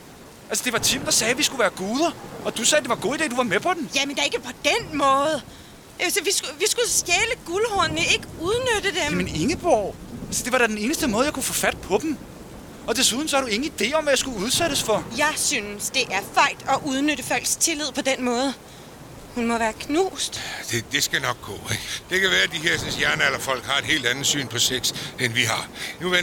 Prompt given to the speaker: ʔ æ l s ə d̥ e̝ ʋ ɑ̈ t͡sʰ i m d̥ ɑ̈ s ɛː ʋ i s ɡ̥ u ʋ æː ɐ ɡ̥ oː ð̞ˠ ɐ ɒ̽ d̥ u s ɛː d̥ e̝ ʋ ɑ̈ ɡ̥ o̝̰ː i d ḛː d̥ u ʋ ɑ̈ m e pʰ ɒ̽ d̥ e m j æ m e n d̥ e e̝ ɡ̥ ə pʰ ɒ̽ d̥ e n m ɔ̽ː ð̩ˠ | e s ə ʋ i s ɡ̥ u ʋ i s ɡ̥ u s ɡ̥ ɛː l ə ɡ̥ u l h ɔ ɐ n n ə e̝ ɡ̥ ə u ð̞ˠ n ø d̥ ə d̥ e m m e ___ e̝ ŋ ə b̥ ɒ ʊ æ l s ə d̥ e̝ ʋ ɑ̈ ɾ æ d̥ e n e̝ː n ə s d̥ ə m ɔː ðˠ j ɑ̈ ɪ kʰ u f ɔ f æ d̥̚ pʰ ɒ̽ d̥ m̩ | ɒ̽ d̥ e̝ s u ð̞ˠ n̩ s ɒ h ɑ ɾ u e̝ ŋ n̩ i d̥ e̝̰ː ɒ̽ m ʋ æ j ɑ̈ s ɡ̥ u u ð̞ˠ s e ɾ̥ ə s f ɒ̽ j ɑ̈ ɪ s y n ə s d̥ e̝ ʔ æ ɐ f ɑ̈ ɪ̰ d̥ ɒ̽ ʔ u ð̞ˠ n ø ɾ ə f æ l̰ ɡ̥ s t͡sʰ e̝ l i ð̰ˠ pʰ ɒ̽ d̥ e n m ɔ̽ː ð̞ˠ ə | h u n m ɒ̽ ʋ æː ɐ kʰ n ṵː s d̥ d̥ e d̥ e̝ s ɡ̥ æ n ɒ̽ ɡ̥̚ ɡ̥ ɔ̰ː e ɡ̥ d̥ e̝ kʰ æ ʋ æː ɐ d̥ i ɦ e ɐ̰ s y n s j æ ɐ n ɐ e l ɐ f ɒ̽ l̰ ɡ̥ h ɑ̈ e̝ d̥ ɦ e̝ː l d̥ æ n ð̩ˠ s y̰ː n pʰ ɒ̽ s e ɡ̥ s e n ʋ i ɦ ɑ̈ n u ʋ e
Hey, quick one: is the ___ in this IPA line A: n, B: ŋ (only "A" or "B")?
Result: A